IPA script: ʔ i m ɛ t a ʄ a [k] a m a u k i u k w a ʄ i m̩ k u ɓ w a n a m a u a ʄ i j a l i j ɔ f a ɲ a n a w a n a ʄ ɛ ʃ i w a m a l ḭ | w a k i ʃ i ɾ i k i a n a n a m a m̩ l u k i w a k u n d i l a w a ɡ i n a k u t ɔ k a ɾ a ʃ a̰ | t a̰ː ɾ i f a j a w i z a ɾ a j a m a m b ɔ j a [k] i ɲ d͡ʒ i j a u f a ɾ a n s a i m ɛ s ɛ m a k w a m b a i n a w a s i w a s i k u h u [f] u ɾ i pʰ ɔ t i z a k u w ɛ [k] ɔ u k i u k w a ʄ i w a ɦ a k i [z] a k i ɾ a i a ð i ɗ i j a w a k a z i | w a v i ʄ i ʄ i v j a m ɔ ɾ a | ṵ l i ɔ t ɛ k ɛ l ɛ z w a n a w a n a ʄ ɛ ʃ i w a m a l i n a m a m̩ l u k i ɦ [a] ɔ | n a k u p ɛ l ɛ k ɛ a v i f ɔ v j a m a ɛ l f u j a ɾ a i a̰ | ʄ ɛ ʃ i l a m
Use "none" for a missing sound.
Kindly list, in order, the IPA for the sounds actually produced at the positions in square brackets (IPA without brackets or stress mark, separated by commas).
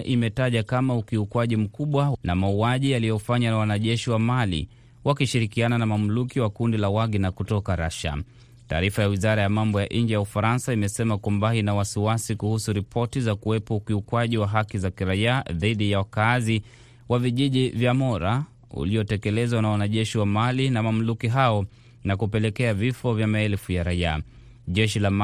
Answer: k, ʔ, s, p, z, a